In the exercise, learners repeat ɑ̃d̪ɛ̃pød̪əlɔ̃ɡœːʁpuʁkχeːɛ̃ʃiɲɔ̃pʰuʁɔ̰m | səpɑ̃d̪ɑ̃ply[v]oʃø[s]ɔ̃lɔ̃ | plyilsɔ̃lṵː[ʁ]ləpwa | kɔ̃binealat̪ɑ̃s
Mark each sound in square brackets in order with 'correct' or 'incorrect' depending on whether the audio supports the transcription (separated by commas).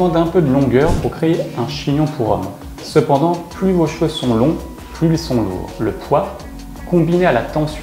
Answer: correct, correct, correct